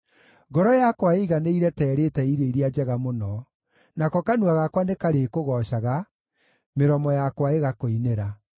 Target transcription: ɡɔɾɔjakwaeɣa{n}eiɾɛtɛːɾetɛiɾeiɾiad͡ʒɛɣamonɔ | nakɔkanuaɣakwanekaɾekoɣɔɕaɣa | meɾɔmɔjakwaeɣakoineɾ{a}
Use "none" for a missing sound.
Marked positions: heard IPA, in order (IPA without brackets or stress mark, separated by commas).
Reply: n, a